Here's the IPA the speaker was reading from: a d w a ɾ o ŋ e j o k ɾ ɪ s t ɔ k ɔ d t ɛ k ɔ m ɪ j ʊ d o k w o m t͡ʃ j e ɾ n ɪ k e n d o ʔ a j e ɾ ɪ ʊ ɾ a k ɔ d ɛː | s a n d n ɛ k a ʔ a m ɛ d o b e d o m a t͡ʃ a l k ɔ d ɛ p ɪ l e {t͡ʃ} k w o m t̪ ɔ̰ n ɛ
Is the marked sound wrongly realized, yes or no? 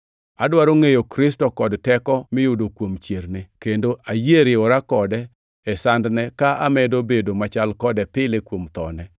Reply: yes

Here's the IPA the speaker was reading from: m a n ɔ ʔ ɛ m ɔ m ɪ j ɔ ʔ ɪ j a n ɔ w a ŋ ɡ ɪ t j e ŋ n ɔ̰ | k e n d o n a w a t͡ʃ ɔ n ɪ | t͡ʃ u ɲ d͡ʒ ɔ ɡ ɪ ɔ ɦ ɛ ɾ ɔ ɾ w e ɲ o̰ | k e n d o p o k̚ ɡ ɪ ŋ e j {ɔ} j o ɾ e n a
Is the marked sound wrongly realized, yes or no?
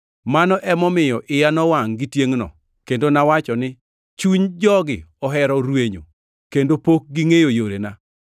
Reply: yes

